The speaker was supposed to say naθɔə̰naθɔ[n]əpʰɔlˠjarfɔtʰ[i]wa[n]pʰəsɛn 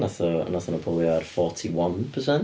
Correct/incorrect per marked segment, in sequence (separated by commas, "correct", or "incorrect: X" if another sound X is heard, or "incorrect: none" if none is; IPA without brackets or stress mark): correct, correct, correct